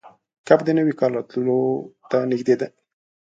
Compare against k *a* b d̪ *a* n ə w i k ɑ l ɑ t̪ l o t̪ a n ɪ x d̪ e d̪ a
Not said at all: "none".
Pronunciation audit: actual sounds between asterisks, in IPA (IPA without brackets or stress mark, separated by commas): a, ə